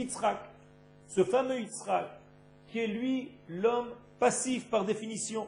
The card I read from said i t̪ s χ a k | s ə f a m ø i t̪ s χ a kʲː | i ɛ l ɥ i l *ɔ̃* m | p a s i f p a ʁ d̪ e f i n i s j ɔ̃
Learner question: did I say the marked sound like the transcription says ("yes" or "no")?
no